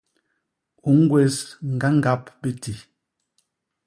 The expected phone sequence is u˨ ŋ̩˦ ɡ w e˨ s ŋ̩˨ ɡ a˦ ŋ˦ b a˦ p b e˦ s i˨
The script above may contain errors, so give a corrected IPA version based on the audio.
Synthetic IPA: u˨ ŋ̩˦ ɡ w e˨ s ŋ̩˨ ɡ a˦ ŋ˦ ɡ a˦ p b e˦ t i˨